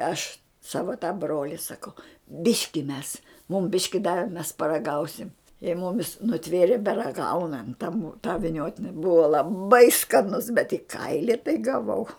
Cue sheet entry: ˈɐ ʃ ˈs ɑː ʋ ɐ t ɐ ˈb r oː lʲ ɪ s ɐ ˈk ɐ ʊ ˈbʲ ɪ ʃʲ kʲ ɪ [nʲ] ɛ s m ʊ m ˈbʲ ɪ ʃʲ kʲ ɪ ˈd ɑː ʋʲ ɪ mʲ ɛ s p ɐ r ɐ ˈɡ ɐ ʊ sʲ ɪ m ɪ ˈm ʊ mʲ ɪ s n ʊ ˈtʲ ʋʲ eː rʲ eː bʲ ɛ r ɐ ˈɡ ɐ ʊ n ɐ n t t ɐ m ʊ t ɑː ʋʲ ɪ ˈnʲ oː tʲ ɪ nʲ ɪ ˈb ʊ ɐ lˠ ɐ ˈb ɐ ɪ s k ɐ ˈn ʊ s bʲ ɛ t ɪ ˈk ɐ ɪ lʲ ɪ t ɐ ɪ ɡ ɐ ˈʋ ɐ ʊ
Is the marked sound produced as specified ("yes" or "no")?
no